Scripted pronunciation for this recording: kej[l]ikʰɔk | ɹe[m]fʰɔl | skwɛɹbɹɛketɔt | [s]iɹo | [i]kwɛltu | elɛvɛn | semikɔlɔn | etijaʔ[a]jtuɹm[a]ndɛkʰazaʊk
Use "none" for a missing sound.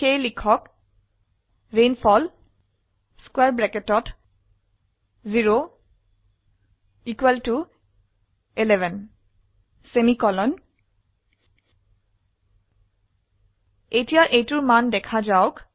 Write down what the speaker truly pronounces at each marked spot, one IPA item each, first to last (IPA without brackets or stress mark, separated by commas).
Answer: l, n, z, i, e, a